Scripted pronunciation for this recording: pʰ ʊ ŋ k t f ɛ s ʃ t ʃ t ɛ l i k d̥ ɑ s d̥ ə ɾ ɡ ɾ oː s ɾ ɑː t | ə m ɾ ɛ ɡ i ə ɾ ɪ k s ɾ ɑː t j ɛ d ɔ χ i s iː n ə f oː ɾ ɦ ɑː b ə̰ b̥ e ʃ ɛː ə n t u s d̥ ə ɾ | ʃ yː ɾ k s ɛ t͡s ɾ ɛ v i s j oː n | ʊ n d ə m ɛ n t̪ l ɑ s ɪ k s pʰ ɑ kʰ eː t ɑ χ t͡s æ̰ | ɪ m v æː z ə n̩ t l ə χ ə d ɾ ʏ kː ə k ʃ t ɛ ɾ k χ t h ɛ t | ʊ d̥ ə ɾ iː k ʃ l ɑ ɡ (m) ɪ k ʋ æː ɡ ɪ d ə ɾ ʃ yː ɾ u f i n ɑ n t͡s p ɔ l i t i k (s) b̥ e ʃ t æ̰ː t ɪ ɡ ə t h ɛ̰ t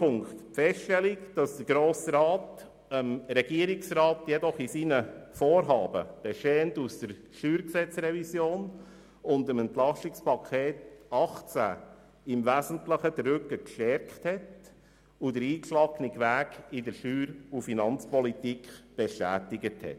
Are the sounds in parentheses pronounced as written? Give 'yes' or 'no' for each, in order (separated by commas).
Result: no, no